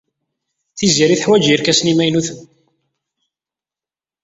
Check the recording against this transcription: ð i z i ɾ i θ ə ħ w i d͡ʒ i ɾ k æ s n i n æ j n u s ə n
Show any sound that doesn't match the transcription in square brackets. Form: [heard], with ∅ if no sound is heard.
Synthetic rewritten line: [θ] i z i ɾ i θ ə ħ w [æ] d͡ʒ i ɾ k æ s n i [m] æ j n u [θ] ə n